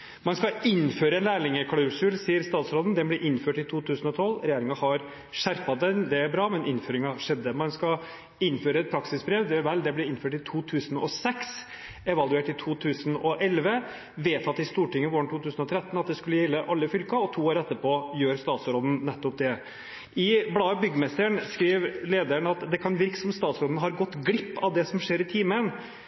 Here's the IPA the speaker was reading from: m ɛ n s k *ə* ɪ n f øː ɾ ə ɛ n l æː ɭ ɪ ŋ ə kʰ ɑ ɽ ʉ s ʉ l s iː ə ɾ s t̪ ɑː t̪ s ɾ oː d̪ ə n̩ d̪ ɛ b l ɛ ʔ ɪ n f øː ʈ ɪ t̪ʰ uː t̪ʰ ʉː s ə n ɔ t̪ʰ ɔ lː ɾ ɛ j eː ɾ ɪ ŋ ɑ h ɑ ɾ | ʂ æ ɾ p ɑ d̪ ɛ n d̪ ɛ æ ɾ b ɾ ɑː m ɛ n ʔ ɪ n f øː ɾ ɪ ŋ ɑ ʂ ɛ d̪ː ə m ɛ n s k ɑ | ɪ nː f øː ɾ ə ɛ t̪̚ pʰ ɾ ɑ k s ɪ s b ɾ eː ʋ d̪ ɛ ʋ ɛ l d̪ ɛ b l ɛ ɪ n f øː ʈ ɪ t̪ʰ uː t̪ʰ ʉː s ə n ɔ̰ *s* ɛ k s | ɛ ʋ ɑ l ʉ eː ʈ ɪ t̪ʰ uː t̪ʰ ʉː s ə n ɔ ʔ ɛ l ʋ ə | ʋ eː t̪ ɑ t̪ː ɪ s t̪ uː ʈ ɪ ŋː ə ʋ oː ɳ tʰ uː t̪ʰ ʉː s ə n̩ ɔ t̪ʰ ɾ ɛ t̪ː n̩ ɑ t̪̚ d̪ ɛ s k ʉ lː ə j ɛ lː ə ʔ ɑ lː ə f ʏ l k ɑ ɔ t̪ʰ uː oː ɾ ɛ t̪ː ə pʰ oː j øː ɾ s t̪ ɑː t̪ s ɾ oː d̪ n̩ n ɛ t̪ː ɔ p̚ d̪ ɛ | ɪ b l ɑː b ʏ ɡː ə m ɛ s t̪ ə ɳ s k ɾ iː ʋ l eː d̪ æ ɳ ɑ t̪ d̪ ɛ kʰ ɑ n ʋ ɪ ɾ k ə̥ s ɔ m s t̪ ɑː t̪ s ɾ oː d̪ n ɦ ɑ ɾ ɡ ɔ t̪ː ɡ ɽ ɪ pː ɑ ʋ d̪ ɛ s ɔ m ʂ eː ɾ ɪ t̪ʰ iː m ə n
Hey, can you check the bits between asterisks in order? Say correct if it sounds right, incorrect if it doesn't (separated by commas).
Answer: incorrect, correct